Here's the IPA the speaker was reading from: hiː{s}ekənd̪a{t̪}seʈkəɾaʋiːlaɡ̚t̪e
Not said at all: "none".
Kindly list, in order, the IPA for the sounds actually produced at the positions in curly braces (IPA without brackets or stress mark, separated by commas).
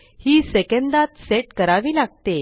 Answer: s, t̪